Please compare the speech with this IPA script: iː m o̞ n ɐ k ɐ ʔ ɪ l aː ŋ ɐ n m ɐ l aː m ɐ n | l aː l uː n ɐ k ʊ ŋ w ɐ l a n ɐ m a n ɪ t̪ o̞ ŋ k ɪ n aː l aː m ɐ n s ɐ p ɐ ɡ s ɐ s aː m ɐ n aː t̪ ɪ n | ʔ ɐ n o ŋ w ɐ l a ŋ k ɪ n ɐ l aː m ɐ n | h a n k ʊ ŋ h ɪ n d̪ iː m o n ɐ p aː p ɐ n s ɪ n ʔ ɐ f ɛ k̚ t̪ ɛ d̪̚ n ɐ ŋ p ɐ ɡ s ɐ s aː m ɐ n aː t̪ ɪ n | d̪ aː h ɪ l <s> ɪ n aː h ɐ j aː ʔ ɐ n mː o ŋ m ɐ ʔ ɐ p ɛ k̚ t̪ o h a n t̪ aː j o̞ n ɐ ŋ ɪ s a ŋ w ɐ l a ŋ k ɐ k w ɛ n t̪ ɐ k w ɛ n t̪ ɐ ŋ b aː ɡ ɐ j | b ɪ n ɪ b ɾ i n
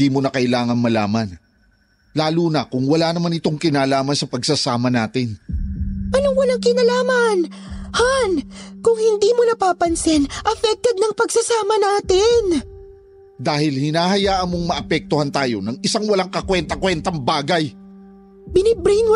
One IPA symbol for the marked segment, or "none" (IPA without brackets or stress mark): h